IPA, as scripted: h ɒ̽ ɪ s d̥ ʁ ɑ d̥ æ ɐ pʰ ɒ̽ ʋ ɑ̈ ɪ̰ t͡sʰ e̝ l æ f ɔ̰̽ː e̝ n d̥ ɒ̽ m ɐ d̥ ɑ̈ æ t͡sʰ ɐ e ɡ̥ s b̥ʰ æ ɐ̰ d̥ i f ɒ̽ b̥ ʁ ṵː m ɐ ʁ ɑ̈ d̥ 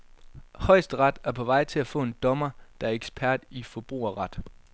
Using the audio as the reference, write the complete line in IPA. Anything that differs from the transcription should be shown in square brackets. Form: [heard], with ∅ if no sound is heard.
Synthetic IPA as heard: h ɒ̽ ɪ s d̥ ʁ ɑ d̥ æ ɐ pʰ ɒ̽ ʋ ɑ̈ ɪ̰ t͡sʰ e̝ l æ f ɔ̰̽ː e̝ n d̥ ɒ̽ m ɐ d̥ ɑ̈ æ [∅] ɐ e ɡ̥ s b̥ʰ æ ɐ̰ d̥ i f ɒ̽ b̥ ʁ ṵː [∅] ɐ ʁ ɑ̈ d̥